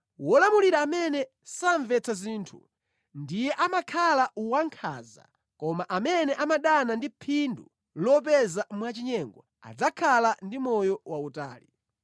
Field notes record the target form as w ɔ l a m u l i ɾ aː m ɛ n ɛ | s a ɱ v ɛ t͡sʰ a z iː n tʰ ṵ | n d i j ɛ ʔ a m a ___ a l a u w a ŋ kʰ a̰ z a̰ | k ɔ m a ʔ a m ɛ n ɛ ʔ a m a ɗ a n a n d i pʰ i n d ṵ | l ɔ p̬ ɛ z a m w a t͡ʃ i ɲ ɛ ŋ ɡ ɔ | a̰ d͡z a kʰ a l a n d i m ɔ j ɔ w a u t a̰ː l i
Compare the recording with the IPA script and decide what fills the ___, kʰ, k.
kʰ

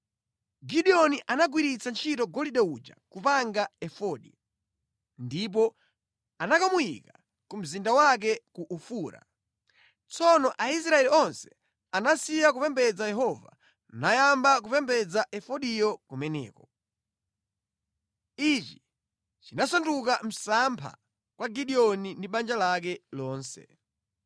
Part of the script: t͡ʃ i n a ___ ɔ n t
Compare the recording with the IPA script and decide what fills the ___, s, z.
s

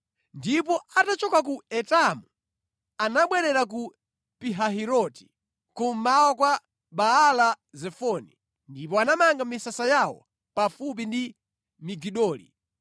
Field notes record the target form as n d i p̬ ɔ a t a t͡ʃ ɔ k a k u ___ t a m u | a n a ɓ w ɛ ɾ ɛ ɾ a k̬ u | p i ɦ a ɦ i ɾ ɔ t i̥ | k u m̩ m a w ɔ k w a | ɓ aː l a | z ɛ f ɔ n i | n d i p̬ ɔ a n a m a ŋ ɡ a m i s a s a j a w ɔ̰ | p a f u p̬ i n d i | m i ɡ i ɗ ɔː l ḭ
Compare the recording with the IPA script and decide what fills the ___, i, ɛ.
ɛ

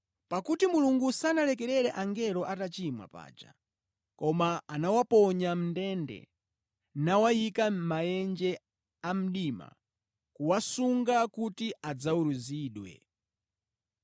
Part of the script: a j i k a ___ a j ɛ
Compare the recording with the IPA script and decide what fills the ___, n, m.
m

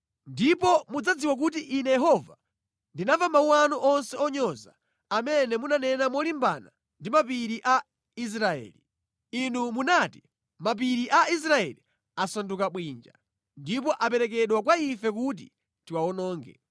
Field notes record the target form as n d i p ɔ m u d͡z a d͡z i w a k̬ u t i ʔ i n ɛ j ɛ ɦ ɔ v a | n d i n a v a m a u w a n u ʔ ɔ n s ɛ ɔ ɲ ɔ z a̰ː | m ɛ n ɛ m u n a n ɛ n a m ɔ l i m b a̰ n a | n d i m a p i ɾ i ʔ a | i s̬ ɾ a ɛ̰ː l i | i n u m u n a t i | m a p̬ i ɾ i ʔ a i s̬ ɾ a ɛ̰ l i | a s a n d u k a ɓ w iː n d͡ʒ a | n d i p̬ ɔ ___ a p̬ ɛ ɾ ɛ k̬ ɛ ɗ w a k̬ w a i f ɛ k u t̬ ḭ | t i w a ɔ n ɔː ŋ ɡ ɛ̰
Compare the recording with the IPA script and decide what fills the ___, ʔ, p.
ʔ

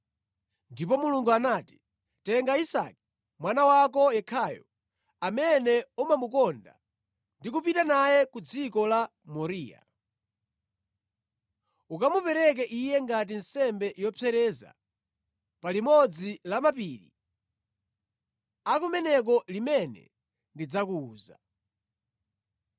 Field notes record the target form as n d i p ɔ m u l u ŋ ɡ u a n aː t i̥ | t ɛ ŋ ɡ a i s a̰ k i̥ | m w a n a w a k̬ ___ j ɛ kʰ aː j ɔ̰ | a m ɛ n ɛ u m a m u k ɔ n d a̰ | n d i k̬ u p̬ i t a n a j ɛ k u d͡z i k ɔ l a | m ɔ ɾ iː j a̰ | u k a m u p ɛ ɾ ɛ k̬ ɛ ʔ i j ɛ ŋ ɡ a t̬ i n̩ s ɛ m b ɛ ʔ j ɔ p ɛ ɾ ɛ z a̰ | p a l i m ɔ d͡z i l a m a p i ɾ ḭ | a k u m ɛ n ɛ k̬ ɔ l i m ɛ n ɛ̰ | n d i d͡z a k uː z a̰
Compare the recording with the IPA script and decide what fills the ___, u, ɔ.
ɔ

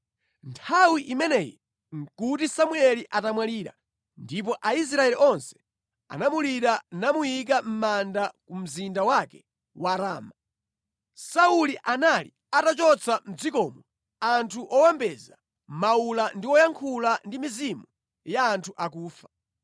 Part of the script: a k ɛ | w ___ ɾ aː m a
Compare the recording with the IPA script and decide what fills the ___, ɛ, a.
a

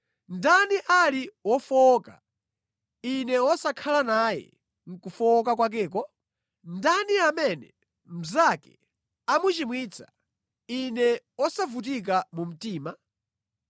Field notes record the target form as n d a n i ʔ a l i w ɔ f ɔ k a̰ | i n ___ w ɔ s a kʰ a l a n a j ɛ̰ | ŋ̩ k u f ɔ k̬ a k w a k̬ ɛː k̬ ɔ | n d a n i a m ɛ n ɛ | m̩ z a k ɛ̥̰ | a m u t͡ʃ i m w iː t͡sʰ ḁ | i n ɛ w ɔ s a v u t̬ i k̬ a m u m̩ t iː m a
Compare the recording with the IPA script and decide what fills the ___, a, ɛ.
ɛ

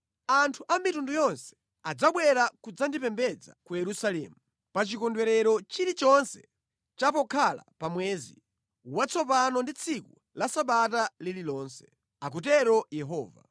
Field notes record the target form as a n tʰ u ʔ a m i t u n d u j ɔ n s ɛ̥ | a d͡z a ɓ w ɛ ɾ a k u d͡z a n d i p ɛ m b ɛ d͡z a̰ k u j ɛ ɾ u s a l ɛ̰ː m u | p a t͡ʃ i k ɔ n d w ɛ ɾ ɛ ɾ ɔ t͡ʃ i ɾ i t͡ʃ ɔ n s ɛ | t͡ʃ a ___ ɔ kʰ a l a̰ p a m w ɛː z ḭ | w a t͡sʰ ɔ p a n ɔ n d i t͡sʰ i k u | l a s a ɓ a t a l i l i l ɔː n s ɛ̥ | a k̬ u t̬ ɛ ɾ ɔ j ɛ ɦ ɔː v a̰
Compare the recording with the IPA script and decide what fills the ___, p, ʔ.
p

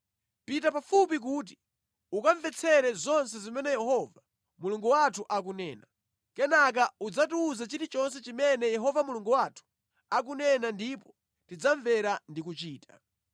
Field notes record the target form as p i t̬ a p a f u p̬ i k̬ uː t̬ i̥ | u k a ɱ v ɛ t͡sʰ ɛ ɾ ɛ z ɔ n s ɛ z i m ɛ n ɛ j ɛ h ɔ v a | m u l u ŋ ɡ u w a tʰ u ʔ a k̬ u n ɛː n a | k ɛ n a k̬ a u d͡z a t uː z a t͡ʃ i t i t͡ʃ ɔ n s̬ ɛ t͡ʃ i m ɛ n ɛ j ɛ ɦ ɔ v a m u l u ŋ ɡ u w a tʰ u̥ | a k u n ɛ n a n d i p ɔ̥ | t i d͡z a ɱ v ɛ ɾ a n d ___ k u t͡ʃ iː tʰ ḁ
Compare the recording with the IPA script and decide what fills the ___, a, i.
i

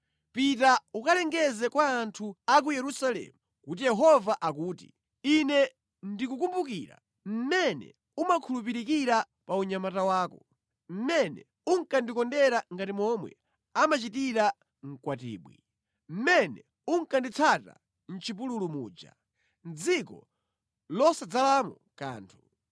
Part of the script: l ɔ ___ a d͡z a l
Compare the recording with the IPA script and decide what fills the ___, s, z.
s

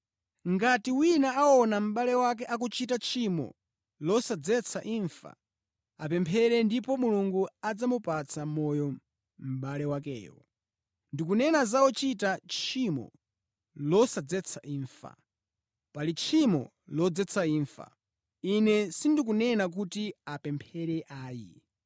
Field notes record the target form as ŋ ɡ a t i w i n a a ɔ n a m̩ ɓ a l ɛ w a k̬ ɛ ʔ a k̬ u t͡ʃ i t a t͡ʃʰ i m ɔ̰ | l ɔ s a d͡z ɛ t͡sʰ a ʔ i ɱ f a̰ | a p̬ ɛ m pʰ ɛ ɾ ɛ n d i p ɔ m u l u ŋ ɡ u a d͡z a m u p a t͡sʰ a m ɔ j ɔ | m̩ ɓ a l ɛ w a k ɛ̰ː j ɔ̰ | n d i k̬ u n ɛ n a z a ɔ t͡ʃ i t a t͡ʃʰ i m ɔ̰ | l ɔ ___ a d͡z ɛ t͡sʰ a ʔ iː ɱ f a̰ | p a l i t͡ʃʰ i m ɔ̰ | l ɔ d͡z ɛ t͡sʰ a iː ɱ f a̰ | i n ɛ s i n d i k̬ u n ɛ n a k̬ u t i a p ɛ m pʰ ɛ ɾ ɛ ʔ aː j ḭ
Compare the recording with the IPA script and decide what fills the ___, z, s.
s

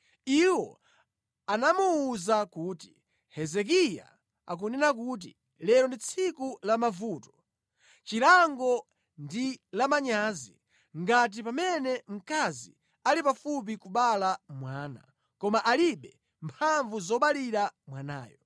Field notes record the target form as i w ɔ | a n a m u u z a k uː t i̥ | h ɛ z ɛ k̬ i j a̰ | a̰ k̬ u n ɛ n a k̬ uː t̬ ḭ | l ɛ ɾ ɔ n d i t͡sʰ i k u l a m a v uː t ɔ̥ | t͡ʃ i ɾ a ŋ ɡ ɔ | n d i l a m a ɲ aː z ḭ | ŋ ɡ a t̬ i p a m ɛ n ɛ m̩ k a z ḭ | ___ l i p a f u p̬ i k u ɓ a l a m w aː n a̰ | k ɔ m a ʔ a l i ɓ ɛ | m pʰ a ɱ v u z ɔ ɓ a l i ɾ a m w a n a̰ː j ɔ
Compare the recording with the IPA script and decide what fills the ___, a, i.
a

